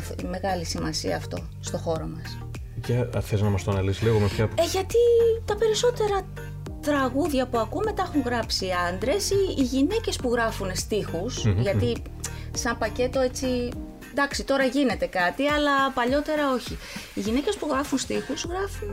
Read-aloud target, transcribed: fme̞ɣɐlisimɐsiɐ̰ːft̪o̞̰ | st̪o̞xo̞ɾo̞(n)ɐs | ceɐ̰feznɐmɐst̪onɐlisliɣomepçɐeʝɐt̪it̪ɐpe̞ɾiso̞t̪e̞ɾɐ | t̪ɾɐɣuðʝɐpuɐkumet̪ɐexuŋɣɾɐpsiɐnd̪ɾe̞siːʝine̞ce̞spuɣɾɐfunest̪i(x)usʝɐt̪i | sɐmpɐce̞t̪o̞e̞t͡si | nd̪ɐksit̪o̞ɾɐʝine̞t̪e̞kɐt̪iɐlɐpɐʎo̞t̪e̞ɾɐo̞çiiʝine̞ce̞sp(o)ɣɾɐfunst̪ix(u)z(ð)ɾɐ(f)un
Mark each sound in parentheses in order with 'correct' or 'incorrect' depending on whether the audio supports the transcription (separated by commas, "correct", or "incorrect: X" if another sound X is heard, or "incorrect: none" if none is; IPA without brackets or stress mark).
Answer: incorrect: m, correct, incorrect: u, correct, incorrect: ɣ, correct